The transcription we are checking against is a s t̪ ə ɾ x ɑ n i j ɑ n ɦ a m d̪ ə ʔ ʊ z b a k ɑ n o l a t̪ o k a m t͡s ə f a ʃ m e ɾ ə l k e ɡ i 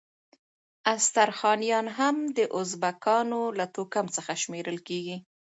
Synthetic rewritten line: a s t̪ a ɾ x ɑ n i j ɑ n ɦ a m d̪ ə ʔ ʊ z b a k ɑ n o l a t̪ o k a m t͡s ə x a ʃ m e ɾ ə l k e ɡ i